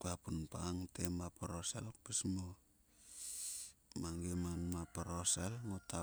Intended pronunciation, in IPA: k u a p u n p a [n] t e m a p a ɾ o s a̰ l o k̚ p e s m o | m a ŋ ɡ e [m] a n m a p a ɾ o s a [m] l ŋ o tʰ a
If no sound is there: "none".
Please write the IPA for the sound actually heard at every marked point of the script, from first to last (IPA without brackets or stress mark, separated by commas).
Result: ŋ, m, none